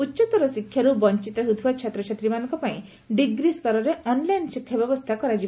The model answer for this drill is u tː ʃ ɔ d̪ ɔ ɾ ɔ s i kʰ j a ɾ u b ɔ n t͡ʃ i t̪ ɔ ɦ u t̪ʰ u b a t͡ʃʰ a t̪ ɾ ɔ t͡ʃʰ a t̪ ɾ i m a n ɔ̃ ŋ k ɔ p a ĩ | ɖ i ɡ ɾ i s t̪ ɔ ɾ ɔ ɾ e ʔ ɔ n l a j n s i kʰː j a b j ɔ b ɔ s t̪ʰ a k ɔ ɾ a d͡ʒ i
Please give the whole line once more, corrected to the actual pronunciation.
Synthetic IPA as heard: u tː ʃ ɔ t̪ ɔ ɾ ɔ s i kʰ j a ɾ u b ɔ n t͡ʃ i t̪ ɔ ɦ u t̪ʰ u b a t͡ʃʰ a t̪ ɾ ɔ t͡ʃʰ a t̪ ɾ i m a n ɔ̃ ŋ k ɔ p a ĩ | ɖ i ɡ ɾ i s t̪ ɔ ɾ ɔ ɾ e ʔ ɔ n l a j n s i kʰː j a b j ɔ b ɔ s t̪ʰ a k ɔ ɾ a d͡ʒ i